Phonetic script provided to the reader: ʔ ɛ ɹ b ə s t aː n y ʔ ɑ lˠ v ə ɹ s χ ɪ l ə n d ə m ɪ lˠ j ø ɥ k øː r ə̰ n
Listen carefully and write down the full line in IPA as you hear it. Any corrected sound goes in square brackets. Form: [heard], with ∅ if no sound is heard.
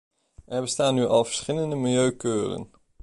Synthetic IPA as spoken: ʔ ɛ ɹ b ə s t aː n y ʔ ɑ lˠ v ə ɹ s χ ɪ l ə n d ə m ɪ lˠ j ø ɥ k øː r ə̰ n